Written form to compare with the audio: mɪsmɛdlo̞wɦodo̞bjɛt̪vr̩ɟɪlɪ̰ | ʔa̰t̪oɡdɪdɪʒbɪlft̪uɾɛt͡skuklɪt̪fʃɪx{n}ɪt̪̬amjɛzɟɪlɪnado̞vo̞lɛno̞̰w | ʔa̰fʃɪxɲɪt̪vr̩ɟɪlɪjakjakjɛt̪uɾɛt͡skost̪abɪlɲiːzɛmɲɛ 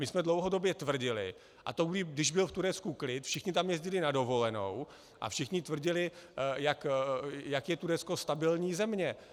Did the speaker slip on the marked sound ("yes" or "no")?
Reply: yes